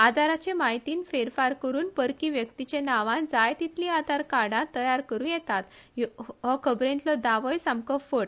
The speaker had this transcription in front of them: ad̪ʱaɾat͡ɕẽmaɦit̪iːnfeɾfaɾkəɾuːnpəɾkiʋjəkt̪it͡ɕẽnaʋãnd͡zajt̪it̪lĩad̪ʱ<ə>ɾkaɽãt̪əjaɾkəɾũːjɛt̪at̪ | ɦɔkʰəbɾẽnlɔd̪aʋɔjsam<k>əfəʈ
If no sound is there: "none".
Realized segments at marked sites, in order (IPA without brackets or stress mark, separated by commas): a, k